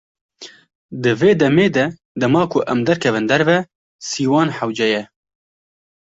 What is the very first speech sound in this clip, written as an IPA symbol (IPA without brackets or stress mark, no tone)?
d̪